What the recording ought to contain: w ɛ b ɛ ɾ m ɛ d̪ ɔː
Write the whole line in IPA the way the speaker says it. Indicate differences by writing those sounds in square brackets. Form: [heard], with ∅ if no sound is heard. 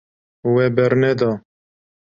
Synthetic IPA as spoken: w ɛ b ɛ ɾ [n] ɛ d̪ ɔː